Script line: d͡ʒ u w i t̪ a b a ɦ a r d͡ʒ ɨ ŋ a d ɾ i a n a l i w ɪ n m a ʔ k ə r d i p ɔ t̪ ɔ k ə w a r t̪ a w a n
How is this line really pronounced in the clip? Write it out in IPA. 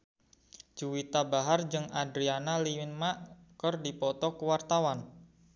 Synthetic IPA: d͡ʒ u w i t̪ a b a ɦ a r d͡ʒ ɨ ŋ a d ɾ i a n a l i w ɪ n m a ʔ k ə r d i p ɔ t̪ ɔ k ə w a r t̪ a w a n